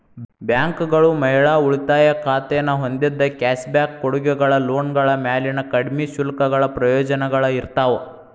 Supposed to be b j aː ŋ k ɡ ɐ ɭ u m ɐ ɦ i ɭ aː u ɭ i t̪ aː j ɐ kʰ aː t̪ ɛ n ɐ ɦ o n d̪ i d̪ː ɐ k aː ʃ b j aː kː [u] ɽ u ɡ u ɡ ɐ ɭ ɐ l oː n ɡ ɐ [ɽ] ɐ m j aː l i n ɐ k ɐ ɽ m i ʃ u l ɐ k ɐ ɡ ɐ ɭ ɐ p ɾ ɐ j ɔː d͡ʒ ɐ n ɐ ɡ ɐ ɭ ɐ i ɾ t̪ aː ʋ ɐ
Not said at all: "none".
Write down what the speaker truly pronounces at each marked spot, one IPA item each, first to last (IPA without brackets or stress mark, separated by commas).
o, ɭ